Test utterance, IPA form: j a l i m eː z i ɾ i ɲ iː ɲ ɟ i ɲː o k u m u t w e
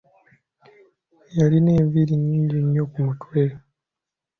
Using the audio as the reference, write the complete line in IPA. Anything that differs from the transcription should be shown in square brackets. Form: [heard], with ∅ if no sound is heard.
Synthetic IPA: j a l i [n] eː [v] i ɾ i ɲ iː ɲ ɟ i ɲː o k u m u t w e